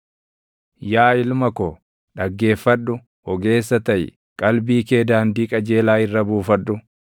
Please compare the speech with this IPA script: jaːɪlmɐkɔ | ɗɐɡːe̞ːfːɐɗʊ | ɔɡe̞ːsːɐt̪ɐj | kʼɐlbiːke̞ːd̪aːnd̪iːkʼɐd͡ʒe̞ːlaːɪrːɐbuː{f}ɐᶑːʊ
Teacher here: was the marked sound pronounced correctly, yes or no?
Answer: yes